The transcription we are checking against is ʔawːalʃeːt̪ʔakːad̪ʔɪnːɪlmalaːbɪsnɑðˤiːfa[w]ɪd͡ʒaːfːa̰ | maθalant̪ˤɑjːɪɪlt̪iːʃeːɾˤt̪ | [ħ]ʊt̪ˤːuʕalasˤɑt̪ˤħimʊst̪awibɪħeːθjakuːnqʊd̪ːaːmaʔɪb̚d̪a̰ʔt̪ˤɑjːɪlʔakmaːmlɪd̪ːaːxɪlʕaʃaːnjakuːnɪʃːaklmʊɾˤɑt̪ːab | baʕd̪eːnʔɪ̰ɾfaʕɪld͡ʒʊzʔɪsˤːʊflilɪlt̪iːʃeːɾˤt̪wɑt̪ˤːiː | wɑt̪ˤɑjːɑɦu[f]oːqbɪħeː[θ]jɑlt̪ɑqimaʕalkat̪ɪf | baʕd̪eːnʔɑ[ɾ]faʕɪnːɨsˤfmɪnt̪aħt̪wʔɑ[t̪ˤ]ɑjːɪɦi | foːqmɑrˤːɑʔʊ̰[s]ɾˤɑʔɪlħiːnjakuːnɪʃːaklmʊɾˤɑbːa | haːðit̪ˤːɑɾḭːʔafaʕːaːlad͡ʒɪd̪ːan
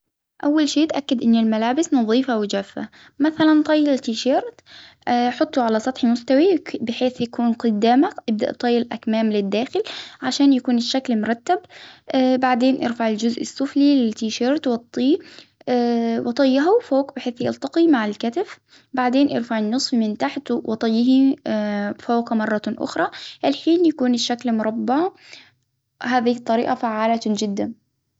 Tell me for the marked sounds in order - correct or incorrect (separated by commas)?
correct, correct, correct, correct, correct, correct, incorrect